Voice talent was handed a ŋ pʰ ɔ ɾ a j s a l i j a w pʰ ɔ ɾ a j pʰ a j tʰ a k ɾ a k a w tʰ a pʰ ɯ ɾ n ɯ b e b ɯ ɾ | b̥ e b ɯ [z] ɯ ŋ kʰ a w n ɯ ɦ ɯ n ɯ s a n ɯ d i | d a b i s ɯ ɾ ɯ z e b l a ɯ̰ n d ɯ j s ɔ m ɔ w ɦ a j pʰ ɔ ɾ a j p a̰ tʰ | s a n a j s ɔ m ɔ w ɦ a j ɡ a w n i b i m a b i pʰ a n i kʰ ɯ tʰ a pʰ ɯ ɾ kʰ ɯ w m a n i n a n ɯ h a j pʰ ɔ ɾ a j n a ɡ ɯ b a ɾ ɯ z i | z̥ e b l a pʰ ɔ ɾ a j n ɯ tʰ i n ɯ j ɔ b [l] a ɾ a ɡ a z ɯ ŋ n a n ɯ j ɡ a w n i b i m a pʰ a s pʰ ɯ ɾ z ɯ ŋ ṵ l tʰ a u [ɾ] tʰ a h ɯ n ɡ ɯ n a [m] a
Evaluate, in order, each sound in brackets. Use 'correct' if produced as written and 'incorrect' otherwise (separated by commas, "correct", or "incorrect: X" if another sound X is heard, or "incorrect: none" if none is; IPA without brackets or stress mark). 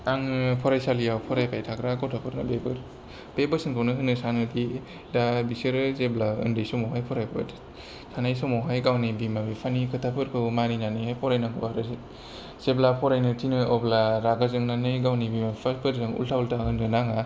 incorrect: s, correct, incorrect: l, incorrect: ŋ